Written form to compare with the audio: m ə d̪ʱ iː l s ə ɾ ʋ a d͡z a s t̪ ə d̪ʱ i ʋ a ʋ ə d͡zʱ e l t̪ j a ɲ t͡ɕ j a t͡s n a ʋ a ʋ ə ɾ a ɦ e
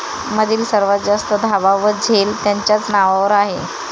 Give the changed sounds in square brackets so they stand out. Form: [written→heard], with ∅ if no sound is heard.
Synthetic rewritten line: m ə d̪ʱ iː l s ə ɾ ʋ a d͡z a s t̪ ə d̪ʱ [i→a] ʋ a ʋ ə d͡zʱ e l t̪ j a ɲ t͡ɕ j a t͡s n a ʋ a ʋ ə ɾ a ɦ e